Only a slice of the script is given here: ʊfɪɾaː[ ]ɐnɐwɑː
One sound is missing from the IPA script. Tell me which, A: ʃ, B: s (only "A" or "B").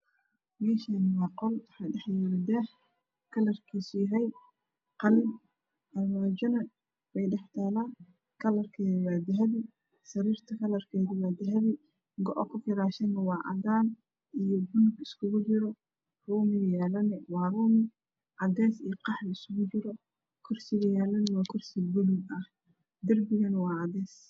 A